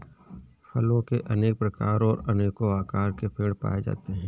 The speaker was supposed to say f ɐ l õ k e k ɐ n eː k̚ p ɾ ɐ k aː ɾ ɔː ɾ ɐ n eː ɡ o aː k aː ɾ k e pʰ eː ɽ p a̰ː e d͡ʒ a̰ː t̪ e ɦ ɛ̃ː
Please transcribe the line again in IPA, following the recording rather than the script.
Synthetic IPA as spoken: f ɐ l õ k e ʔ ɐ n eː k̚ p ɾ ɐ k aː ɾ ɔː ɾ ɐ n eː k o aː k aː ɾ k e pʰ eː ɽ p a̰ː e d͡ʒ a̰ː t̪ e ɦ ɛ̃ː

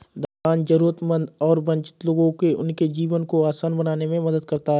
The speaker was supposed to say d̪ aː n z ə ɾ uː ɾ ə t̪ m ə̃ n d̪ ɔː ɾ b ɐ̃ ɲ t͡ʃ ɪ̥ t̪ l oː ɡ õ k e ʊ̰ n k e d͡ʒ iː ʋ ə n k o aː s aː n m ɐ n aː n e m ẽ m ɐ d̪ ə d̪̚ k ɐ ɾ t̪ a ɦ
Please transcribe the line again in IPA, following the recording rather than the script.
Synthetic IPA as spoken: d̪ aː n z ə ɾ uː ɾ ə t̪ m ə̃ n d̪ ɔː ɾ b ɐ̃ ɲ t͡ʃ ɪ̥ t̪ l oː ɡ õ k e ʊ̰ n k e d͡ʒ iː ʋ ə n k o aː s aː n b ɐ n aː n e m ẽ m ɐ d̪ ə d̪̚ k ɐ ɾ t̪ a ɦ

